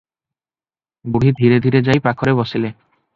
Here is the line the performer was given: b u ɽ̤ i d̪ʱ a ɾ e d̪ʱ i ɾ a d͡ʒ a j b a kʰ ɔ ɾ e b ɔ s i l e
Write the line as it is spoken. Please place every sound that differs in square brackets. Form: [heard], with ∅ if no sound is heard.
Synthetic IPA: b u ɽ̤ i d̪ʱ [i] ɾ e d̪ʱ i ɾ [e] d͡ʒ a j [p] a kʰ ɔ ɾ e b ɔ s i l e